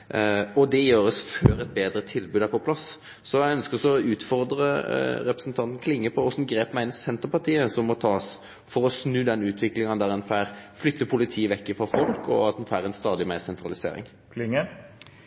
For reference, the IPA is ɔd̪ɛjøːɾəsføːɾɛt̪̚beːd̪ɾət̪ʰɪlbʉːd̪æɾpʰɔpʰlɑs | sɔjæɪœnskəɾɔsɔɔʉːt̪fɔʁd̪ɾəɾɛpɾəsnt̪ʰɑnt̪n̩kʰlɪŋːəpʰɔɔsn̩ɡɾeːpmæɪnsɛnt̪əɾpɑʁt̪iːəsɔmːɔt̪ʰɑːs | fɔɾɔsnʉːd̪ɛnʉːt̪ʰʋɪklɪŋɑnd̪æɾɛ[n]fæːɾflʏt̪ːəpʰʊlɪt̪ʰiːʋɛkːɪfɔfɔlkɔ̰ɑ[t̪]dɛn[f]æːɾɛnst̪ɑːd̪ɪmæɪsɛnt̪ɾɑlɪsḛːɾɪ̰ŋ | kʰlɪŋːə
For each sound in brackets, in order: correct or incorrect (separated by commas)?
correct, correct, correct